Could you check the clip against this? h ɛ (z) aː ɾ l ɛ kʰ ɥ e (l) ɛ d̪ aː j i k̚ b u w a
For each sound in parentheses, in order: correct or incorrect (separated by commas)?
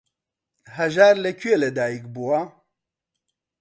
incorrect, correct